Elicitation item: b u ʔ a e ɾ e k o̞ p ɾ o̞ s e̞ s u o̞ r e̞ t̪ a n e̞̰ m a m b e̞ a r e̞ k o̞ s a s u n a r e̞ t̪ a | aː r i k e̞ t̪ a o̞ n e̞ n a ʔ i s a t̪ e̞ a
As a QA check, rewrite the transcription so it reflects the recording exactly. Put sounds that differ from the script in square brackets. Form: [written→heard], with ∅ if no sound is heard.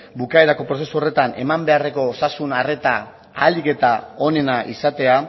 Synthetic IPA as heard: b u [ʔ→k] a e ɾ [e→a] k o̞ p ɾ o̞ s e̞ s u o̞ r e̞ t̪ a n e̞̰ m a m b e̞ a r e̞ k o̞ s a s u n a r e̞ t̪ a | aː [r→l] i k e̞ t̪ a o̞ n e̞ n a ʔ i s a t̪ e̞ a